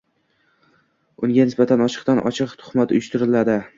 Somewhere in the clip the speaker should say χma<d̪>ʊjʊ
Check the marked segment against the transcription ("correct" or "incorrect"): incorrect